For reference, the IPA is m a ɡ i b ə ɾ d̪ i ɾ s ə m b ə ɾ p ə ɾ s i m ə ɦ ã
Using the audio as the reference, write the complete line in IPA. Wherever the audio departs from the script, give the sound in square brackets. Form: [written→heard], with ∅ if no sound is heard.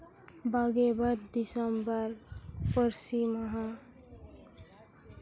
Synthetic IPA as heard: [m→b] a ɡ [i→e] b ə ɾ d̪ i [ɾ→∅] s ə m b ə ɾ p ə ɾ s i m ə ɦ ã